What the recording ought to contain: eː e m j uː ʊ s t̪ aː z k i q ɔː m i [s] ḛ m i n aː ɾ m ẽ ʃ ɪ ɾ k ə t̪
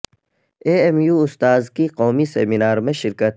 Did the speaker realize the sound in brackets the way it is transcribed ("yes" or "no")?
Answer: yes